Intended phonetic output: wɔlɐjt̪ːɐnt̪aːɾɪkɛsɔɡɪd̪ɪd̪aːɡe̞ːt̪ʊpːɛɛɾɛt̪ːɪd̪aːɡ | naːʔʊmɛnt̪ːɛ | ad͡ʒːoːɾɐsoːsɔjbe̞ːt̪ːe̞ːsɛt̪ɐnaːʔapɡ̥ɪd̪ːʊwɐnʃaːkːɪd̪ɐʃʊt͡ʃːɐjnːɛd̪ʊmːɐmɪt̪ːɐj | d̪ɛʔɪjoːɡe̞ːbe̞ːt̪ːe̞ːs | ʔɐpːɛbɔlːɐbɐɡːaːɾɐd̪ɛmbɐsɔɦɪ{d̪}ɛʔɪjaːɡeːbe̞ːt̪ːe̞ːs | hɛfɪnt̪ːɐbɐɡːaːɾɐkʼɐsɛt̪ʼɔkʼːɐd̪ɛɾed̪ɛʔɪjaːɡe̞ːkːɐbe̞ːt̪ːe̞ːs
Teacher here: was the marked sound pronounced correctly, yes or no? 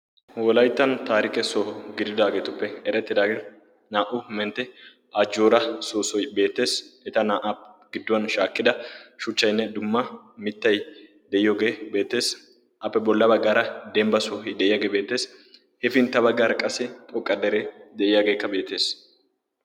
yes